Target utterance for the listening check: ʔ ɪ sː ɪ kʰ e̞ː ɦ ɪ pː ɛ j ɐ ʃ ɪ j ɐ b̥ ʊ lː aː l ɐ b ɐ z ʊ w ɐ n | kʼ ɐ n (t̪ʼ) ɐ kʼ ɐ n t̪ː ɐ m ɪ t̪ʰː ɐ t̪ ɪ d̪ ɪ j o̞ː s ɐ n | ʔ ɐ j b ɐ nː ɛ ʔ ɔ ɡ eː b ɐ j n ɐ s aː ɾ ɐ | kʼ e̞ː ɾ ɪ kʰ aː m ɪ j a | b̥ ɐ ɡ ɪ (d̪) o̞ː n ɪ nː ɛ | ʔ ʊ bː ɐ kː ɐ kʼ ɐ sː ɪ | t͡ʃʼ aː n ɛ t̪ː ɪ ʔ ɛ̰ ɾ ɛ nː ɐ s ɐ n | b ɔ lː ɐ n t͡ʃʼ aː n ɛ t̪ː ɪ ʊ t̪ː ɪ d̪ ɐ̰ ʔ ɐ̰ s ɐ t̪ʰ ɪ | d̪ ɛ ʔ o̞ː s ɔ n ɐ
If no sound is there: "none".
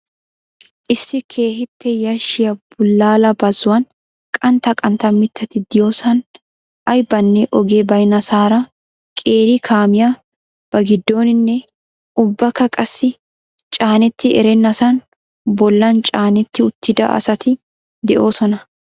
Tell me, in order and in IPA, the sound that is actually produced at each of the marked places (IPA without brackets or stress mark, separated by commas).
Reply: t̪, d̪ː